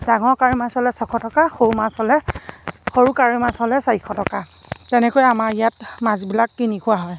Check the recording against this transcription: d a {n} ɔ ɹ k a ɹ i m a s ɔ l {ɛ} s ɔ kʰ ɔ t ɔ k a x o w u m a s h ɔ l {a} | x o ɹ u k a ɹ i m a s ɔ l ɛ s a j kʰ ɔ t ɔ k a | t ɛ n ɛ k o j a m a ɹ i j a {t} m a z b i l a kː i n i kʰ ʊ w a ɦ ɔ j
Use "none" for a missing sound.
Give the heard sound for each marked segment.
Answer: ŋ, ɛ, ɛ, t

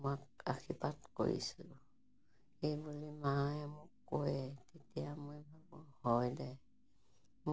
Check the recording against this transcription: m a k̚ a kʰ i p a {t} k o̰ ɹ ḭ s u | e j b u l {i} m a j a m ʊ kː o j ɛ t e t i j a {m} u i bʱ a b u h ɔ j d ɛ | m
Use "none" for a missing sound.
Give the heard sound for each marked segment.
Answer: t, i, m

